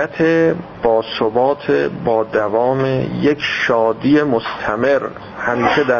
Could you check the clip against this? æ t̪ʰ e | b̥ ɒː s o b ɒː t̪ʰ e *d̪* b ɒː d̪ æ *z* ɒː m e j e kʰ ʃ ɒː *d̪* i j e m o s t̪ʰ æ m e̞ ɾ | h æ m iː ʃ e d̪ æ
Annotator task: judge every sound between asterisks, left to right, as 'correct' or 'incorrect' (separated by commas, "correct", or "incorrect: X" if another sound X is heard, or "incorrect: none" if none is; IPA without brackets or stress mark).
incorrect: none, incorrect: v, correct